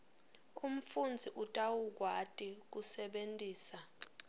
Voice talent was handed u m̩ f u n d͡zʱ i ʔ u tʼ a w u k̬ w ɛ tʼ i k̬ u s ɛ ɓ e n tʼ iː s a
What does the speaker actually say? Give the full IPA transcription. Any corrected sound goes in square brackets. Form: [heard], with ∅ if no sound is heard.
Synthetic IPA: u m̩ f u n d͡zʱ i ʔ u tʼ a w u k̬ w [a] tʼ i k̬ u s ɛ ɓ e n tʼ iː s a